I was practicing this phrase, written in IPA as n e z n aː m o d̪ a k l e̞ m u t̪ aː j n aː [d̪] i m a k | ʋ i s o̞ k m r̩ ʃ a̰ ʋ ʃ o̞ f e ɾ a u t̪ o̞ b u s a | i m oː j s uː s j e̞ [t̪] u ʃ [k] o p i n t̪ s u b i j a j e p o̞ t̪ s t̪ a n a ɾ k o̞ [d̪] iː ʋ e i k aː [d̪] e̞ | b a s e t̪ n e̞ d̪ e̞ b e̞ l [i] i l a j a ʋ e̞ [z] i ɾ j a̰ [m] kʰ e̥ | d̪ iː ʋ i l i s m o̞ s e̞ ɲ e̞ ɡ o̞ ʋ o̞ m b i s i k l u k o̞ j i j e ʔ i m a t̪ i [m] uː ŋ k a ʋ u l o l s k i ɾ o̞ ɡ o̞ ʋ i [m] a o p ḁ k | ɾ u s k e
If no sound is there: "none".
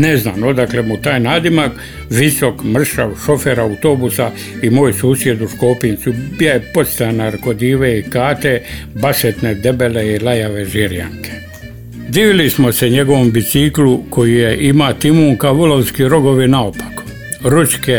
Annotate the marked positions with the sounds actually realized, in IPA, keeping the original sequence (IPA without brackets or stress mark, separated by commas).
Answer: d̪, d̪, k, d̪, t̪, e, ʒ, ŋ, m, n